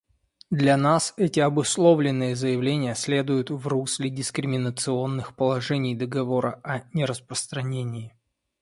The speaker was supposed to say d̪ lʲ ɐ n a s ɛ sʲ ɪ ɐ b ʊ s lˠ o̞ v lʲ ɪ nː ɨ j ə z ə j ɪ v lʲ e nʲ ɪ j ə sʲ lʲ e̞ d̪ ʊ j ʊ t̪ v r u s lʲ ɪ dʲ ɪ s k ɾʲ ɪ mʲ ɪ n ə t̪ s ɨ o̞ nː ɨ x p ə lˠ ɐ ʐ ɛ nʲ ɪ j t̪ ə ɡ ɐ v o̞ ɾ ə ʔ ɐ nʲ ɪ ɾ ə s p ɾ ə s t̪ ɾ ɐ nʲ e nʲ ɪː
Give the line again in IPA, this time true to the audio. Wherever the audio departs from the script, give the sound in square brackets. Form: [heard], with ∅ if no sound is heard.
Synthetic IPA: d̪ lʲ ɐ n a s ɛ [tʲ] ɪ ɐ b ʊ s lˠ o̞ v lʲ ɪ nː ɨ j ə z ə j ɪ v lʲ e nʲ ɪ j ə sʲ lʲ e̞ d̪ ʊ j ʊ t̪ v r u s lʲ ɪ dʲ ɪ s k ɾʲ ɪ mʲ ɪ n ə t̪ s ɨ o̞ nː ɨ x p ə lˠ ɐ ʐ ɛ nʲ ɪ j [d̪] ə ɡ ɐ v o̞ ɾ ə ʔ ɐ nʲ ɪ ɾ ə s p ɾ ə s t̪ ɾ ɐ nʲ e nʲ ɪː

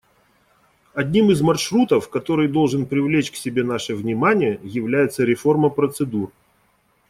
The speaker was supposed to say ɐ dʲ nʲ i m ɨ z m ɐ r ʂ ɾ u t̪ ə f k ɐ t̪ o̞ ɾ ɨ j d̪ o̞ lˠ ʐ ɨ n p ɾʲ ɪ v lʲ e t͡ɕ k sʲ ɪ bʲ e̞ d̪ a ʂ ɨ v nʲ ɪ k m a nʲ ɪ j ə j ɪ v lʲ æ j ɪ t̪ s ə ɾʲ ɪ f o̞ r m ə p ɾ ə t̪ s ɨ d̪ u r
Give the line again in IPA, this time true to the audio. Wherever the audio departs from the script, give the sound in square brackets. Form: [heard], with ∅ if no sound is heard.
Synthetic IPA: ɐ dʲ nʲ i m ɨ z m ɐ r ʂ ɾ u t̪ ə f k ɐ t̪ o̞ ɾ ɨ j d̪ o̞ lˠ ʐ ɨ n p ɾʲ ɪ v lʲ e t͡ɕ k sʲ ɪ bʲ e̞ [n̪] a ʂ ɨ v nʲ ɪ [∅] m a nʲ ɪ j ə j ɪ v lʲ æ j ɪ t̪ s ə ɾʲ ɪ f o̞ r m ə p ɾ ə t̪ s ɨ d̪ u r

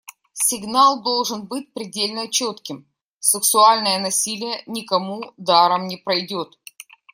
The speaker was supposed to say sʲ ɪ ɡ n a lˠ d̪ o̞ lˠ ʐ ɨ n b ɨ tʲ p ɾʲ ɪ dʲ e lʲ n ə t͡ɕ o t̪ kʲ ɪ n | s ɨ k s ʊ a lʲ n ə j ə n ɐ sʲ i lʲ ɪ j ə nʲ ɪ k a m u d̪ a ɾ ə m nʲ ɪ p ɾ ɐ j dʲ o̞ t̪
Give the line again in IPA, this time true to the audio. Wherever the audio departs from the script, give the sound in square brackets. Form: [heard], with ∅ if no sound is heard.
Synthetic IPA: sʲ ɪ ɡ n a lˠ d̪ o̞ lˠ ʐ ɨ n b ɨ tʲ p ɾʲ ɪ dʲ e lʲ n ə t͡ɕ o t̪ kʲ ɪ [m] | s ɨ k s ʊ a lʲ n ə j ə n ɐ sʲ i lʲ ɪ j ə nʲ ɪ k [ɐ] m u d̪ a ɾ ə m nʲ ɪ p ɾ ɐ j dʲ o̞ t̪

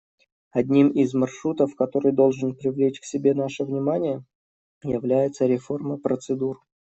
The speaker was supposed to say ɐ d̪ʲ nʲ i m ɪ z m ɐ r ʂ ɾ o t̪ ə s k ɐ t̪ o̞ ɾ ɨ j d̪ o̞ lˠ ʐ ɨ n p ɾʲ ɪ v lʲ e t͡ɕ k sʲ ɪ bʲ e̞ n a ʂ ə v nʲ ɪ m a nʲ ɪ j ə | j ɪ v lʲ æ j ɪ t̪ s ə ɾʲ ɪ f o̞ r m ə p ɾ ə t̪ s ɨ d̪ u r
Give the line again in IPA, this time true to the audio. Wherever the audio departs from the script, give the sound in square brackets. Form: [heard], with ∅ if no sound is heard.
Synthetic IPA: ɐ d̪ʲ nʲ i m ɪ z m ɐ r ʂ ɾ [u] t̪ ə [f] k ɐ t̪ o̞ ɾ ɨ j d̪ o̞ lˠ ʐ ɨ n p ɾʲ ɪ v lʲ e t͡ɕ k sʲ ɪ bʲ e̞ n a ʂ ə v nʲ ɪ m a nʲ ɪ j ə | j ɪ v lʲ æ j ɪ t̪ s ə ɾʲ ɪ f o̞ r m ə p ɾ ə t̪ s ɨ d̪ u r

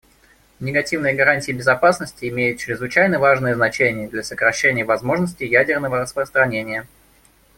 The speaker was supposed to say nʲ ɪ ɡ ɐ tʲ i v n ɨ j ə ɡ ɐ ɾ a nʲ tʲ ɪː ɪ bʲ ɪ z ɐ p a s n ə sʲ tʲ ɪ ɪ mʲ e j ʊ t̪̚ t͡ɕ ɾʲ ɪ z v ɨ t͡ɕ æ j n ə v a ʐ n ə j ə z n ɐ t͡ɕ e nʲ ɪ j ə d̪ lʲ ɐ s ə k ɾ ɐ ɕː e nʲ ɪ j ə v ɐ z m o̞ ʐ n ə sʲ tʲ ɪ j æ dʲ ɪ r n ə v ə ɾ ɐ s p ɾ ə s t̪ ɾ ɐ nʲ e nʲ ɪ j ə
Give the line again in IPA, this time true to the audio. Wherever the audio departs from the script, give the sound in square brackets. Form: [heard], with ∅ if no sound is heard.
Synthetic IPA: nʲ ɪ ɡ ɐ tʲ i v n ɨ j ə ɡ ɐ ɾ a nʲ tʲ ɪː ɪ bʲ ɪ z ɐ p a s n ə sʲ tʲ ɪ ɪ mʲ e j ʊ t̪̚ t͡ɕ ɾʲ ɪ z v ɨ t͡ɕ æ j n ə v a ʐ n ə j ə z n ɐ t͡ɕ e nʲ ɪ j ə d̪ lʲ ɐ s ə k ɾ ɐ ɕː e nʲ ɪ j ə v ɐ z m o̞ ʐ n ə sʲ tʲ ɪ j æ dʲ ɪ r n ə v ə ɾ [ə] s p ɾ ə s t̪ ɾ ɐ nʲ e nʲ ɪ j ə

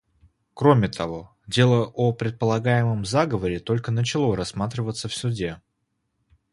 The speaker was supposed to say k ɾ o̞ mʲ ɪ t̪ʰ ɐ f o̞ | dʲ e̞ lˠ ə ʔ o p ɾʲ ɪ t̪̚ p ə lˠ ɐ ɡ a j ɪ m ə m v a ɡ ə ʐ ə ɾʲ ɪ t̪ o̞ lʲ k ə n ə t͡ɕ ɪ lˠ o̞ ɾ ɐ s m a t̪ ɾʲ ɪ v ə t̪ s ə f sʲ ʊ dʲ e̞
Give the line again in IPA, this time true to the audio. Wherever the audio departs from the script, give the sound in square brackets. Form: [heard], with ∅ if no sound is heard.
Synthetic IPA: k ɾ o̞ mʲ ɪ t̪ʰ ɐ [v] o̞ | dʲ e̞ lˠ ə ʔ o p ɾʲ ɪ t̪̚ p ə lˠ ɐ ɡ a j ɪ m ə m [z] a ɡ ə [v] ə ɾʲ ɪ t̪ o̞ lʲ k ə n ə t͡ɕ ɪ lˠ o̞ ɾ ɐ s m a t̪ ɾʲ ɪ v ə t̪ s ə f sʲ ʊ dʲ e̞

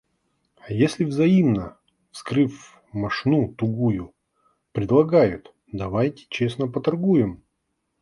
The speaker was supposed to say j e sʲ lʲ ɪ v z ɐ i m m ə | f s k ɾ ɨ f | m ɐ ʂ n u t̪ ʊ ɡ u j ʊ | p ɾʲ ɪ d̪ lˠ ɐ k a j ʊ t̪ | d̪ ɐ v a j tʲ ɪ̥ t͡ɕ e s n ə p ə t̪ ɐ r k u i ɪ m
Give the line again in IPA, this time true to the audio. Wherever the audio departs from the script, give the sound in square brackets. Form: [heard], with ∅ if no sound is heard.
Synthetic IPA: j e sʲ lʲ ɪ v z ɐ i m [n] ə | f s k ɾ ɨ f | m ɐ ʂ n u t̪ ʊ ɡ u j ʊ | p ɾʲ ɪ d̪ lˠ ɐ [ɡ] a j ʊ t̪ | d̪ ɐ v a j tʲ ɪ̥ t͡ɕ e s n ə p ə t̪ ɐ r [ɡ] u [j] ɪ m

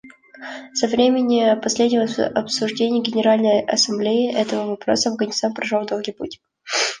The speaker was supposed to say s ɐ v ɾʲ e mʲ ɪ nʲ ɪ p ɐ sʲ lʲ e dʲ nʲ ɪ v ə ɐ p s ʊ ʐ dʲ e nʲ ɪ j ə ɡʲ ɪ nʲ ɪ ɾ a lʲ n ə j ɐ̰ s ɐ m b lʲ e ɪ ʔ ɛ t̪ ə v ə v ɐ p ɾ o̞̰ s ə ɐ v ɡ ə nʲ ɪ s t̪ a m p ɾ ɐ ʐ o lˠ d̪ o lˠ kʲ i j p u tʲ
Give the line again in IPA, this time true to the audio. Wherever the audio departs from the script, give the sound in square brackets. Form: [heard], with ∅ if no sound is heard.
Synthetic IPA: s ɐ v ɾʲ e mʲ ɪ nʲ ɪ p ɐ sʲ lʲ e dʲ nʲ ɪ v ə ɐ p s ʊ ʐ dʲ e nʲ ɪ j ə ɡʲ ɪ nʲ ɪ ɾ a lʲ n ə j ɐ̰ s ɐ m b lʲ e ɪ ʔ ɛ t̪ ə v ə v ɐ p ɾ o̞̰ s ə ɐ v ɡ ə nʲ ɪ s t̪ a [n] p ɾ ɐ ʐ o lˠ d̪ o lˠ [ɡʲ] i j p u tʲ

